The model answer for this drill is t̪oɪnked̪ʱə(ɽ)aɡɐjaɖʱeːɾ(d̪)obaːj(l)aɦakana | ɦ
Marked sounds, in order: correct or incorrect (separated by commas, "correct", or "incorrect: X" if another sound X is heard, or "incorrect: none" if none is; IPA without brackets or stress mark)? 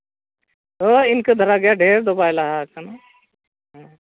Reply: incorrect: ɾ, correct, correct